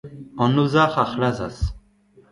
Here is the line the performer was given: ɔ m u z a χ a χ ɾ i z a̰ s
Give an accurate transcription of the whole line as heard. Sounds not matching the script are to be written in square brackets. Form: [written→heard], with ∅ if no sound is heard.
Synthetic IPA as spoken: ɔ [m→n] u z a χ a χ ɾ [i→a] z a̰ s